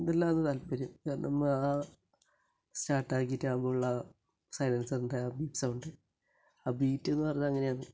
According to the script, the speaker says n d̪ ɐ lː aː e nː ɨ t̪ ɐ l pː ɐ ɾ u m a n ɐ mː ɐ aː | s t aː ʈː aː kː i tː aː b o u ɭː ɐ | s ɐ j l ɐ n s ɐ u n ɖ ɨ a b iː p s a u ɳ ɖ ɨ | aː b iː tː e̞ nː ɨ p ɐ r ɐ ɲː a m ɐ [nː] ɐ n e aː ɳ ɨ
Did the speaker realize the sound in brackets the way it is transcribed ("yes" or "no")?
no